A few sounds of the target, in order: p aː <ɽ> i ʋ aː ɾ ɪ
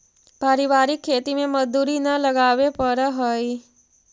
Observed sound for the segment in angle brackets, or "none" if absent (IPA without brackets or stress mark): ɾ